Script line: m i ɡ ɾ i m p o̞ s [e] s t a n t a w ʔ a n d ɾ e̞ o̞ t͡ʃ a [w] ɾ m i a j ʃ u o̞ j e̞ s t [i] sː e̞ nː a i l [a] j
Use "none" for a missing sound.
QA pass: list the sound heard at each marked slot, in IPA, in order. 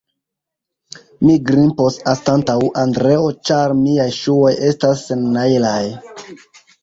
a, none, a, a

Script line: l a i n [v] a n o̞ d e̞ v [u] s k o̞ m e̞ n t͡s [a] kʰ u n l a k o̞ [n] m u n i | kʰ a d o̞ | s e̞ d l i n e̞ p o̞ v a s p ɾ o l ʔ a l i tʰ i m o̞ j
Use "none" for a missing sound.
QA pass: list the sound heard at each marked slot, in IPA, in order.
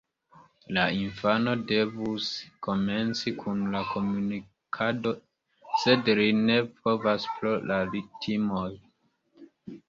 f, u, i, none

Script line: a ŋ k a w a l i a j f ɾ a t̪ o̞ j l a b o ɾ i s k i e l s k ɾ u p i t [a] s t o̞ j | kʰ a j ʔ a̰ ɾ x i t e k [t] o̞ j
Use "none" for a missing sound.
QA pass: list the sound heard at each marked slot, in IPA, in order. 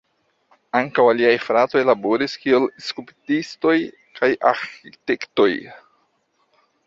i, t

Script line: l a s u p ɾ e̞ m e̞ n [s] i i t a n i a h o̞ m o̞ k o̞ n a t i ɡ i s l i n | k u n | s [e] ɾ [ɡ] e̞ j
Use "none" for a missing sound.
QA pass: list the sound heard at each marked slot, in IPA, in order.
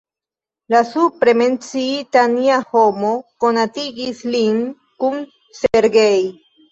t͡s, e, ɡ

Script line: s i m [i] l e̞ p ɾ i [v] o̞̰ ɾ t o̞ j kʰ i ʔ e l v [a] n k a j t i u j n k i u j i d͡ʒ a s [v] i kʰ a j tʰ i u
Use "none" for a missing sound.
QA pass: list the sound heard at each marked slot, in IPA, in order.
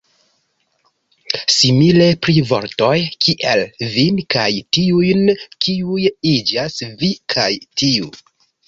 i, v, i, v

